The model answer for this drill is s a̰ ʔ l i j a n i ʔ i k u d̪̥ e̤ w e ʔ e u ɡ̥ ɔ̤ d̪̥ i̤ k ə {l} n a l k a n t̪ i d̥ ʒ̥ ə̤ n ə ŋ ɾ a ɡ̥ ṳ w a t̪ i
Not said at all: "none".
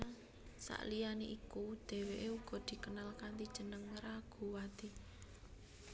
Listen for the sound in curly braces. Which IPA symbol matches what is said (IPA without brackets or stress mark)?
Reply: none